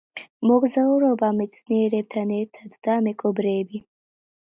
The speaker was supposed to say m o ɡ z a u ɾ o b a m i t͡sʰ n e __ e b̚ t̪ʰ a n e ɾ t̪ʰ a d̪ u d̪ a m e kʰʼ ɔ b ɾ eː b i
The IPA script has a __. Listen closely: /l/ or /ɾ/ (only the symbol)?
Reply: ɾ